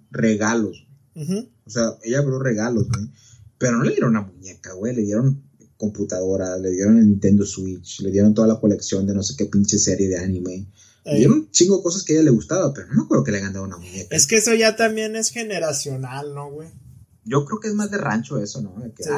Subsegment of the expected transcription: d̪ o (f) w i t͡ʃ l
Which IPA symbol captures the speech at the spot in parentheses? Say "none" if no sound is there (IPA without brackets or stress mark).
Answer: s